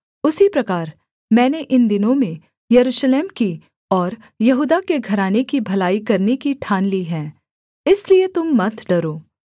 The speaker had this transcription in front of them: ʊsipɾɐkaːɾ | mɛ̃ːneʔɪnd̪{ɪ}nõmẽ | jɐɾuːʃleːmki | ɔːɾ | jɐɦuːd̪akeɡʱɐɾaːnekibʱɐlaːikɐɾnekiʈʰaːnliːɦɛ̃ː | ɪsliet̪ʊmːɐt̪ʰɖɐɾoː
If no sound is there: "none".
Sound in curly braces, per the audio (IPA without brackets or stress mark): ɪ